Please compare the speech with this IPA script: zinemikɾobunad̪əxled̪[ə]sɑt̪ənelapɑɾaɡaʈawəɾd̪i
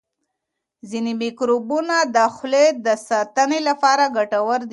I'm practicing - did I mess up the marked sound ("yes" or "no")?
no